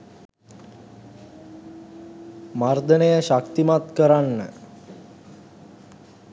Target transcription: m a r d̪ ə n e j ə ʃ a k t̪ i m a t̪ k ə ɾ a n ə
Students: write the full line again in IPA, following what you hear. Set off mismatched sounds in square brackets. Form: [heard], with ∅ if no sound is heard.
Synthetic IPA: m a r d̪ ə n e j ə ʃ a k t̪ i m a t̪ k ə ɾ a [nː] ə